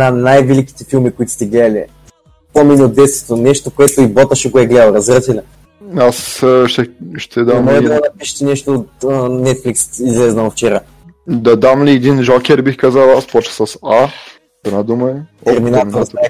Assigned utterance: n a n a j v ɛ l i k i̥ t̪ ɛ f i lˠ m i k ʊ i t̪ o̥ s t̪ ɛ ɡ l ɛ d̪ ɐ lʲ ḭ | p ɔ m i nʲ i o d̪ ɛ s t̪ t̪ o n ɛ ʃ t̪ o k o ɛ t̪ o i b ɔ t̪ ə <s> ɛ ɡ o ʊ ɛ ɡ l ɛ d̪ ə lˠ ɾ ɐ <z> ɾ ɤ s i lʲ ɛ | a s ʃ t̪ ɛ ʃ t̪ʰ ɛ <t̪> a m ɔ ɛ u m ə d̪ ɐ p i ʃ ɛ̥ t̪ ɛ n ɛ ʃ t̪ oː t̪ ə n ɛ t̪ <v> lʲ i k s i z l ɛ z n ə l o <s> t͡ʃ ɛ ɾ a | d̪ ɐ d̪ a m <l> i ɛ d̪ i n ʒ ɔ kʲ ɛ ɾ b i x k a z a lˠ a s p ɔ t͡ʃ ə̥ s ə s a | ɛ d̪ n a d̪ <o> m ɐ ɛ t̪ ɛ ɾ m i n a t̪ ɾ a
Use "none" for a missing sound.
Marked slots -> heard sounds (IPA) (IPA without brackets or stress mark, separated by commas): ʃ, z, d̪, f, f, l, u